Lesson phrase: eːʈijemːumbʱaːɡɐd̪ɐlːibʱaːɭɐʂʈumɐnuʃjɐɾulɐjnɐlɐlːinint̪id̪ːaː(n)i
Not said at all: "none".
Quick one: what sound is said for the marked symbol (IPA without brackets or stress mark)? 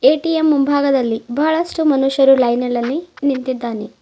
n